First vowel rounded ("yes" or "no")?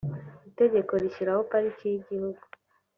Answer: no